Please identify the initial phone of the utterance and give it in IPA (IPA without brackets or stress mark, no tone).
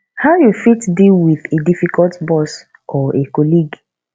h